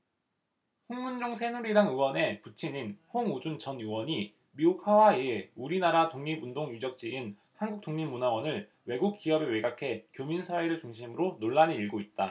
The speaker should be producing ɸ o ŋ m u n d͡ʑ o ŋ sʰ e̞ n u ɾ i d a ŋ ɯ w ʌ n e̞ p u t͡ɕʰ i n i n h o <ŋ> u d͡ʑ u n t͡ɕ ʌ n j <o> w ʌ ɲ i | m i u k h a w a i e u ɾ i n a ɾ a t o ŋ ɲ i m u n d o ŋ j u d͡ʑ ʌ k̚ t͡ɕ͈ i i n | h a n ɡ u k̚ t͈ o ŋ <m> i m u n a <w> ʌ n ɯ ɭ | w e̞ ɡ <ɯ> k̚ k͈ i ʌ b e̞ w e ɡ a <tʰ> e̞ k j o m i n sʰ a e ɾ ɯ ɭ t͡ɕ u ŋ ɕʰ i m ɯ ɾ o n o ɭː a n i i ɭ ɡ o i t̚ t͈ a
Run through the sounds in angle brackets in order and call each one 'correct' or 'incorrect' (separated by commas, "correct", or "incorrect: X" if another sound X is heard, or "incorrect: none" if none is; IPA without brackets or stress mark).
correct, incorrect: u, incorrect: ɲ, correct, incorrect: u, incorrect: kʰ